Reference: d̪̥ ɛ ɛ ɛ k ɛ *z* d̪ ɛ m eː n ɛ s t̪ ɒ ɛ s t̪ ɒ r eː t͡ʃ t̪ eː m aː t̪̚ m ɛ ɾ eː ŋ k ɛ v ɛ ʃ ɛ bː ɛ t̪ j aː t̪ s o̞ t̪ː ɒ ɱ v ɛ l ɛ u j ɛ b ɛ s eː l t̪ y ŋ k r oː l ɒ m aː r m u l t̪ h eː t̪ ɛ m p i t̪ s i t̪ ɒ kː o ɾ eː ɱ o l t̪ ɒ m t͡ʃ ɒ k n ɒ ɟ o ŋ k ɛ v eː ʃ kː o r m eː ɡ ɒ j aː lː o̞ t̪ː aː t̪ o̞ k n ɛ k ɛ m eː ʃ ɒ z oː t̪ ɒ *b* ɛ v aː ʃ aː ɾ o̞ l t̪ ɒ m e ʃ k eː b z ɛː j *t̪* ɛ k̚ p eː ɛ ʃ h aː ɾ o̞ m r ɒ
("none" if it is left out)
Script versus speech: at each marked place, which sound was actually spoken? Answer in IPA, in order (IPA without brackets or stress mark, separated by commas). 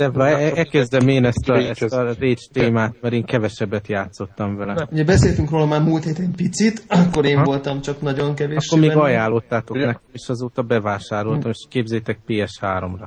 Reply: z, b, t̪